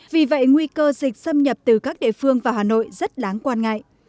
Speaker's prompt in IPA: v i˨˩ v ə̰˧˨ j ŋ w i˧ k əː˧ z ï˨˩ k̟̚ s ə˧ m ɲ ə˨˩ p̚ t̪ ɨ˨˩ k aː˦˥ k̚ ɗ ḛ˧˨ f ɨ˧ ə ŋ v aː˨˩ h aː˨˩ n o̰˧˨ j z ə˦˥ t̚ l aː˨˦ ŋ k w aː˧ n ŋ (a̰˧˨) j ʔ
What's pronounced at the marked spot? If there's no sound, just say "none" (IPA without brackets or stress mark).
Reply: a̰˧˨